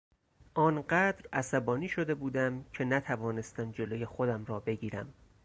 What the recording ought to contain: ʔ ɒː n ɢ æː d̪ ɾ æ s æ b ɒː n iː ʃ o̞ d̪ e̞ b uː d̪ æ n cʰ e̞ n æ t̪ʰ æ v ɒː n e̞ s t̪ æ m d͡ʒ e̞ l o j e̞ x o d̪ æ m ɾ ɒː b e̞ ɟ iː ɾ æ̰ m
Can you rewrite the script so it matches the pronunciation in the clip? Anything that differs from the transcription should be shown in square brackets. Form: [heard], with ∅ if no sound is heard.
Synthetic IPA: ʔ ɒː n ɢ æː d̪ ɾ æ s æ b ɒː n iː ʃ o̞ d̪ e̞ b uː d̪ æ [m] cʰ e̞ n æ t̪ʰ æ v ɒː n e̞ s t̪ æ m d͡ʒ e̞ l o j e̞ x o d̪ æ m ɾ ɒː b e̞ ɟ iː ɾ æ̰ m